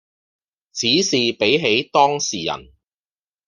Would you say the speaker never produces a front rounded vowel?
yes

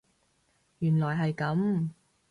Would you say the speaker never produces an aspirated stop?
yes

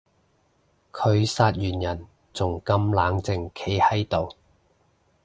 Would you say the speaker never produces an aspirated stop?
no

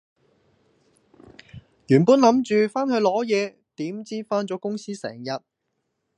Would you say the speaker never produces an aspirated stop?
yes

